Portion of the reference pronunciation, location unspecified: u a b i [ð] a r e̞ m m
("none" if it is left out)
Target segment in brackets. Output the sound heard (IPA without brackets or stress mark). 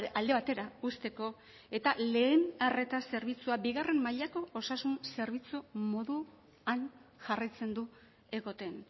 ɣ